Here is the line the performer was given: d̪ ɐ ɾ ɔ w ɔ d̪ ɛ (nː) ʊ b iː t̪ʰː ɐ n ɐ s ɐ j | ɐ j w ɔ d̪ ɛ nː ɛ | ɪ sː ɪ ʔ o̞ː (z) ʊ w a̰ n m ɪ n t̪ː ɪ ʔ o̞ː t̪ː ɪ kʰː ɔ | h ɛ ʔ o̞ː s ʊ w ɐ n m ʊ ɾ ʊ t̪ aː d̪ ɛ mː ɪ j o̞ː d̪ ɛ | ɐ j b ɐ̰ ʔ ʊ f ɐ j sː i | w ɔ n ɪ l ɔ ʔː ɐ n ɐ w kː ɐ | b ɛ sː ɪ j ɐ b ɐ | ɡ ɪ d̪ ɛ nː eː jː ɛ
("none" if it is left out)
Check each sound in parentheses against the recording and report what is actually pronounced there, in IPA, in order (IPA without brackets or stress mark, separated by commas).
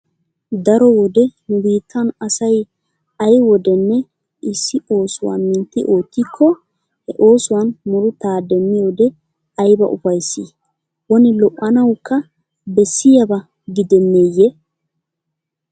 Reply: n, s